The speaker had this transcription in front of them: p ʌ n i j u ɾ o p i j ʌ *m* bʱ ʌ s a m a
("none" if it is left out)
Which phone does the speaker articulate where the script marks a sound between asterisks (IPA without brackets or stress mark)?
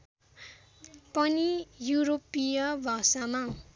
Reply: none